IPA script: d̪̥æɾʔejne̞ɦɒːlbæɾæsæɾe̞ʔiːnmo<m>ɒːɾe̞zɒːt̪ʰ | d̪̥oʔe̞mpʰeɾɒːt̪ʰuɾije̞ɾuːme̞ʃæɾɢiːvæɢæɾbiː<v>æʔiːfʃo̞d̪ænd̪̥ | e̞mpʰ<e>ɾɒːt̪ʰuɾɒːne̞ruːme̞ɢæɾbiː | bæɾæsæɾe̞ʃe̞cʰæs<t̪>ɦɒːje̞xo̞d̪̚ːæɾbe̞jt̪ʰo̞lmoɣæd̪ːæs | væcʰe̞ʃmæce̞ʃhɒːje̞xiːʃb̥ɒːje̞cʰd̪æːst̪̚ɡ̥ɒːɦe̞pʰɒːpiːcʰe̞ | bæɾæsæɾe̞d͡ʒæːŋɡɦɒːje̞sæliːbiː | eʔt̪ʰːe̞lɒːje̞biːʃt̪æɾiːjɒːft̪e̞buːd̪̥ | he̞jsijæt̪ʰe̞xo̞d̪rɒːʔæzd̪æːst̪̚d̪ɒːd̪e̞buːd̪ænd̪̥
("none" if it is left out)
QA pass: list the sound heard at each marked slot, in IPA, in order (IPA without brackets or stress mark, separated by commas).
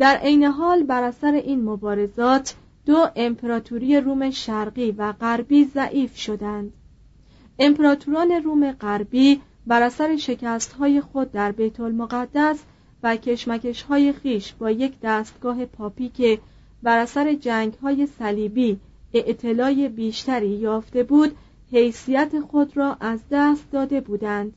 b, z, e, t̪